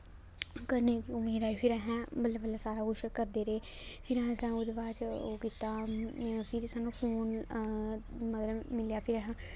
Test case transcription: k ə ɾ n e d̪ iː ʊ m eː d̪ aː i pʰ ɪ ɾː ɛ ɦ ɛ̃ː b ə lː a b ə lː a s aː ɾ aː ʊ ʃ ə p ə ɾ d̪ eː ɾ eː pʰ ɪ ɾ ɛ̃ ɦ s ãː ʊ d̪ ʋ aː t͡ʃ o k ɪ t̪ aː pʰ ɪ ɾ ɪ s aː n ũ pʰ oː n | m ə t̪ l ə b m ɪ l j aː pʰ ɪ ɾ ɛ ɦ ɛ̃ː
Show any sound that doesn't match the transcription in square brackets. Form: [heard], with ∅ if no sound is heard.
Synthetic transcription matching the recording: k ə ɾ n e d̪ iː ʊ m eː d̪ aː i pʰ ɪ [ɾ] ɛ ɦ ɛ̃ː b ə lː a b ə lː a s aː ɾ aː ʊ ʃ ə [k] ə ɾ d̪ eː ɾ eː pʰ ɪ ɾ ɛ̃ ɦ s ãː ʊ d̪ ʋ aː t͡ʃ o k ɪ t̪ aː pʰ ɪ ɾ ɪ s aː n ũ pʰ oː n | m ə t̪ l ə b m ɪ l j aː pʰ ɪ ɾ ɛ ɦ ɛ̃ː